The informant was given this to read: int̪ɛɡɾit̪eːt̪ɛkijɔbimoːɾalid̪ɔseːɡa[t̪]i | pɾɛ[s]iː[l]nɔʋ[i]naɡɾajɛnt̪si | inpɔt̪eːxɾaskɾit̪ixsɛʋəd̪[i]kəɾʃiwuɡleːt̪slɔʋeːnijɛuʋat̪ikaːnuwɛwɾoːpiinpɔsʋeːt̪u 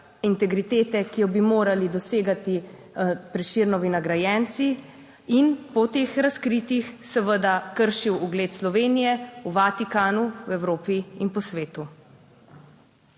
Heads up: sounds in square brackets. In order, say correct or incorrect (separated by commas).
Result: correct, incorrect, incorrect, correct, incorrect